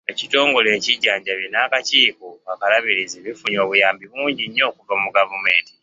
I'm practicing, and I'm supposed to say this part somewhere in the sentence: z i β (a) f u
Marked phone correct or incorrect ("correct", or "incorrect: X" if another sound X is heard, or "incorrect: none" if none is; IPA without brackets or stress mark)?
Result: incorrect: i